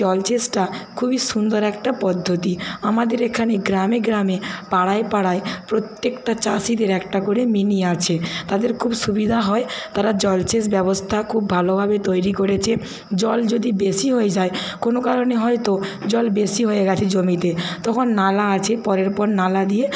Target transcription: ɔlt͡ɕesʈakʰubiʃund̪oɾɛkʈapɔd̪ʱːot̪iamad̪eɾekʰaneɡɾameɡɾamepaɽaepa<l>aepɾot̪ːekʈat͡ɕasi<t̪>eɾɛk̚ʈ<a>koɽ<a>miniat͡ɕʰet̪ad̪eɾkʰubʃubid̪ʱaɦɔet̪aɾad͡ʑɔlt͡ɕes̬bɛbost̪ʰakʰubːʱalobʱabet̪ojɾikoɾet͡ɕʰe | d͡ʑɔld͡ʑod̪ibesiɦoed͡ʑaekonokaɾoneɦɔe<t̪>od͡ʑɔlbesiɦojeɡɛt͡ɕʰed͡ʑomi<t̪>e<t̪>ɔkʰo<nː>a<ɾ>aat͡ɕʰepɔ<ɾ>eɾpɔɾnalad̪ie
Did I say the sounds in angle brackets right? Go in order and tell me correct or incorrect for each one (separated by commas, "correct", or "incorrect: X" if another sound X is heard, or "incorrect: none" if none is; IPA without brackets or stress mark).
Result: incorrect: ɽ, incorrect: d̪, correct, incorrect: e, correct, correct, correct, correct, incorrect: l, correct